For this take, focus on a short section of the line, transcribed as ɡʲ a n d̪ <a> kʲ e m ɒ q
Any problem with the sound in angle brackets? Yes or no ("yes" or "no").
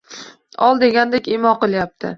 yes